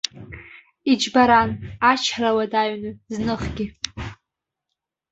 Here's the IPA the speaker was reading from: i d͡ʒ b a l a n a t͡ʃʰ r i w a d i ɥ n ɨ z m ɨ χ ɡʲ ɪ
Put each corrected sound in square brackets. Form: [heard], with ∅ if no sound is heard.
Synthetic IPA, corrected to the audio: i d͡ʒ b a [ɾ] a n a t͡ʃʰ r [a] w a d [a] ɥ n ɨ z [n] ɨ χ ɡʲ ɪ